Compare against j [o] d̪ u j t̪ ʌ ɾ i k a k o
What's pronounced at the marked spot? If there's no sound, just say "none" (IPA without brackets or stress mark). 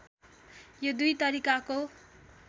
o